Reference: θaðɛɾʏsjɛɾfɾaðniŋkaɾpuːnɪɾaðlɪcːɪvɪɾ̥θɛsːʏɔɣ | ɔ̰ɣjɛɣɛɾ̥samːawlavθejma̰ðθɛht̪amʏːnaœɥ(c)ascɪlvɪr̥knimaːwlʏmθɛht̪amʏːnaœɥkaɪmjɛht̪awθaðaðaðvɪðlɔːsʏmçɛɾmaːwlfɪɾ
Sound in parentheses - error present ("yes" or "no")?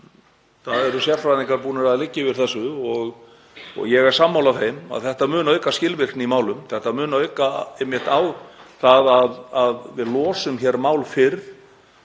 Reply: yes